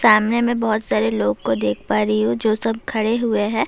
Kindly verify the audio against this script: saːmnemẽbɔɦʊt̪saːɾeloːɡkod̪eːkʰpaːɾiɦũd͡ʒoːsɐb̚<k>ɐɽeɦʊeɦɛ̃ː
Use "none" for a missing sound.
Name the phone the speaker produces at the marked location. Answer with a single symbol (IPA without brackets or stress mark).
kʰ